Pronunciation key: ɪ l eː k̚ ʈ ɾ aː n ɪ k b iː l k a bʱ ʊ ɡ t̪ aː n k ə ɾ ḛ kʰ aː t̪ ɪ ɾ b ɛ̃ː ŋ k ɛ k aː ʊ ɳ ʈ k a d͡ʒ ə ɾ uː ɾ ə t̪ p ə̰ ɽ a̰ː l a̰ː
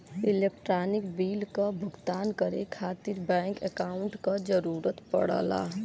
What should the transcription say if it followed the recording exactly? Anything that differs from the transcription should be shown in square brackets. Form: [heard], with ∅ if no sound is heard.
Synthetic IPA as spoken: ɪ l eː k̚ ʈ ɾ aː n ɪ k b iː l k a bʱ ʊ ɡ t̪ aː n k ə ɾ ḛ kʰ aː t̪ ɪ ɾ b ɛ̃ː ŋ k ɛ k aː ʊ ɳ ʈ k a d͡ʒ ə ɾ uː ɾ ə t̪ p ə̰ ɽ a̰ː l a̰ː